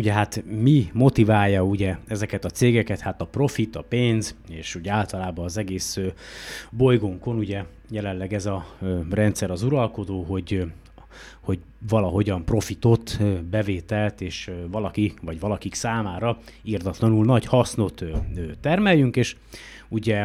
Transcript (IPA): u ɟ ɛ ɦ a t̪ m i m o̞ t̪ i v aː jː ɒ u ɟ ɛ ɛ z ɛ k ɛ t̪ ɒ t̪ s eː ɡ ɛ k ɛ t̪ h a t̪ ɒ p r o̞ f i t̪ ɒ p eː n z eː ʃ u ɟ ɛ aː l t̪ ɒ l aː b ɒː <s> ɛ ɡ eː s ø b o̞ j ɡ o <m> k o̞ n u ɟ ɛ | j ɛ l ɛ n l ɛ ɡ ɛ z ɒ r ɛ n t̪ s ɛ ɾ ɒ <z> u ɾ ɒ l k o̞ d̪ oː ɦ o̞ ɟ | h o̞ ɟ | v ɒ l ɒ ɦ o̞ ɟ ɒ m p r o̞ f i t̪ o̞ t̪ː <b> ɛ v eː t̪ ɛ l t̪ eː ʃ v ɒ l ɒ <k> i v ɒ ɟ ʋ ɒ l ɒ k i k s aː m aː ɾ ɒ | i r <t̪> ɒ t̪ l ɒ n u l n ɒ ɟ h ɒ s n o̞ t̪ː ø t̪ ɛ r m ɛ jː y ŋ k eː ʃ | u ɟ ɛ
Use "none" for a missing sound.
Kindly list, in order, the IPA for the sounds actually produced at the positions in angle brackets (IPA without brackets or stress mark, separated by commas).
z, ŋ, z, b, k, d̪